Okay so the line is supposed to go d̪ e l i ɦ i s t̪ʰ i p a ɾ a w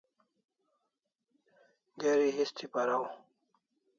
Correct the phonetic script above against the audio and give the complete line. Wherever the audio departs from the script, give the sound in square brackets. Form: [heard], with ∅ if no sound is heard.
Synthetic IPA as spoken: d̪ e [ɾ] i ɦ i s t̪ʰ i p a ɾ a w